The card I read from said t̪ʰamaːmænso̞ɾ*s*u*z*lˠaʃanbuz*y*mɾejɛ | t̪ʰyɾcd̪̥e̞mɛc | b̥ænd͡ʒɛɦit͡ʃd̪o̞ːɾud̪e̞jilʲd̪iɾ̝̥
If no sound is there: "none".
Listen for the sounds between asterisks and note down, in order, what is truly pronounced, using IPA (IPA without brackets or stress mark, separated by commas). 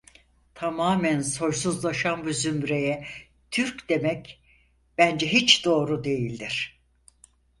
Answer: s, z, y